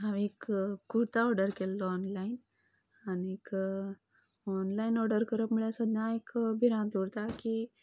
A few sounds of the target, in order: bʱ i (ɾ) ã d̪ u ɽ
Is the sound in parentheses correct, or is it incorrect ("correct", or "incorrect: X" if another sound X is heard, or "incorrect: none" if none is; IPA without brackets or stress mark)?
correct